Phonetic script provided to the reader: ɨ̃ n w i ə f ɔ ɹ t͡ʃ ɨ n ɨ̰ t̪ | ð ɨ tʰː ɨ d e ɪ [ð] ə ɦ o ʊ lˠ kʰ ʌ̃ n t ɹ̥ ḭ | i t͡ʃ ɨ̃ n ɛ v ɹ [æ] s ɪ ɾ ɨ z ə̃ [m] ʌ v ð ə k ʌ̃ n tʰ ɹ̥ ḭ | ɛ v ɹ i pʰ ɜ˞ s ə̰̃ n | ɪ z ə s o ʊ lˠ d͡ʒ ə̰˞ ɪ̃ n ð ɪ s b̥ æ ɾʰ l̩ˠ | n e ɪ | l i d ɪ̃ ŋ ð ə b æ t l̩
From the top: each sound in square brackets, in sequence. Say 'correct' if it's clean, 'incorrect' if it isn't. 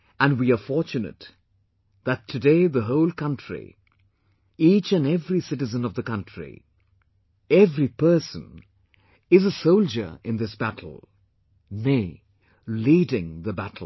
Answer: correct, incorrect: i, incorrect: n

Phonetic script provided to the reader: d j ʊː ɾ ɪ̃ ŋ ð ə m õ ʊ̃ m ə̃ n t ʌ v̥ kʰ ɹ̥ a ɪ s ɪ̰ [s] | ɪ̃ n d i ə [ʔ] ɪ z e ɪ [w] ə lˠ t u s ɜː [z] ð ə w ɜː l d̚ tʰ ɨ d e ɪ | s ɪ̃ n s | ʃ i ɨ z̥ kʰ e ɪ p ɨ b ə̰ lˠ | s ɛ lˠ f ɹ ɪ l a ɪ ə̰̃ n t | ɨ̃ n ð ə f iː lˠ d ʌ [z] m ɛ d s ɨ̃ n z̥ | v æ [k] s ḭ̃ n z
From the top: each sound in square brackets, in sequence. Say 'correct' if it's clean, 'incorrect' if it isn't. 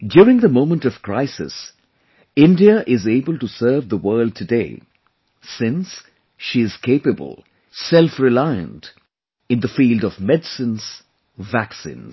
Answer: correct, correct, incorrect: b, incorrect: v, incorrect: v, correct

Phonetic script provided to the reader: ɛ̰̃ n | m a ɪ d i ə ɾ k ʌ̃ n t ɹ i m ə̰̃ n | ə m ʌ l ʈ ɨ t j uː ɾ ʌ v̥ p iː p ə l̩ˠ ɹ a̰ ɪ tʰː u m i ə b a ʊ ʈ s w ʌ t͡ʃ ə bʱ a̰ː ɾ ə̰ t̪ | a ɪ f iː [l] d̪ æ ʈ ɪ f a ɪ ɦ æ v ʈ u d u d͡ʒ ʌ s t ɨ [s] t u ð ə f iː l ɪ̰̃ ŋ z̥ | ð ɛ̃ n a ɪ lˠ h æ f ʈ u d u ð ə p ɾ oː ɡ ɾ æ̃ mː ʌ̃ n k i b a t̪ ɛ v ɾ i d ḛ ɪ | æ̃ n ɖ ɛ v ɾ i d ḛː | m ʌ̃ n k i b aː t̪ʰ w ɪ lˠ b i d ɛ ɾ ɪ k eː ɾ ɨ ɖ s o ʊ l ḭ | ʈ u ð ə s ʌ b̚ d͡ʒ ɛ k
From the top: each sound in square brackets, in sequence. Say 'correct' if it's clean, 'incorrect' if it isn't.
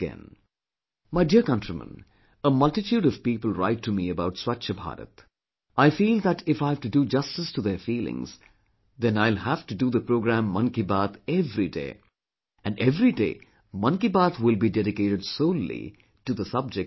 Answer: correct, correct

